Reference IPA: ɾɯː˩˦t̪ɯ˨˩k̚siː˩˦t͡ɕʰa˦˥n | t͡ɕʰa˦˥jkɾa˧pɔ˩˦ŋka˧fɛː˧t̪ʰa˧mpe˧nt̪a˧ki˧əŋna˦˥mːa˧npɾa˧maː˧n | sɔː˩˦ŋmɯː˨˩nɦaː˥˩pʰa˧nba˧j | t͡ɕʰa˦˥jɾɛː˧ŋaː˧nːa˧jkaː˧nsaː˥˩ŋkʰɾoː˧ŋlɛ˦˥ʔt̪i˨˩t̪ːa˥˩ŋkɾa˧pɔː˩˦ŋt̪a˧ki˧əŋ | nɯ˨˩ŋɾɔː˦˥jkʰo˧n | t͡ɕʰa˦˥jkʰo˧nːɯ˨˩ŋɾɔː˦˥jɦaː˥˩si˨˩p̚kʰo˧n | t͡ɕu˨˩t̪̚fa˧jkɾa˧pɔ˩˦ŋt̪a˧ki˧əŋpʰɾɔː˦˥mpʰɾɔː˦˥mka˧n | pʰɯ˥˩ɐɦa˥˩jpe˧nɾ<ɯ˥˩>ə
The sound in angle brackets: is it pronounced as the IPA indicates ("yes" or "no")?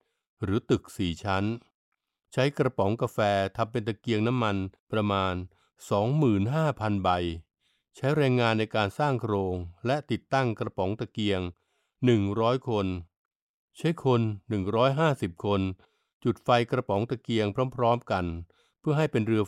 no